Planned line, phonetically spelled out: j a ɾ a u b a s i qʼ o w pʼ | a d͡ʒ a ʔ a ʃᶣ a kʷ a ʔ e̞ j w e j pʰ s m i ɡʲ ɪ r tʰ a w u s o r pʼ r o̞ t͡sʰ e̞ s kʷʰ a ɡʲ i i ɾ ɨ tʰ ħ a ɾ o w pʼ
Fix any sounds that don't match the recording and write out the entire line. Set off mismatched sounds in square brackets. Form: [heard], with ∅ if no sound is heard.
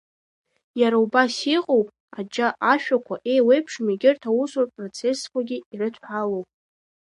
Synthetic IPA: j a ɾ a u b a s i qʼ o w pʼ | a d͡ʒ a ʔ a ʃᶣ a kʷ a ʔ e̞ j w e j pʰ [ʂ] m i ɡʲ ɪ r tʰ a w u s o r pʼ r o̞ t͡sʰ e̞ s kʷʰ a ɡʲ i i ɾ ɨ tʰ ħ a [l] o w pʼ